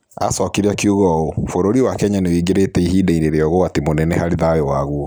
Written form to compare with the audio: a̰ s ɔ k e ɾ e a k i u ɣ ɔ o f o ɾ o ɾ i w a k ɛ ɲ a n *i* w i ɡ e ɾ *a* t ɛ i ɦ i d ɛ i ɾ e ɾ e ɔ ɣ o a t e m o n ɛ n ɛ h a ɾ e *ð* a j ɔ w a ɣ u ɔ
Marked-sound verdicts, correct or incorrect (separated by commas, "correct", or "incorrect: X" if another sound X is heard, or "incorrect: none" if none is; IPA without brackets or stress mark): incorrect: e, incorrect: e, correct